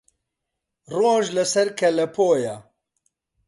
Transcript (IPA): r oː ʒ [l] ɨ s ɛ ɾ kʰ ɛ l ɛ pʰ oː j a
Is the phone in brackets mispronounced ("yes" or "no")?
no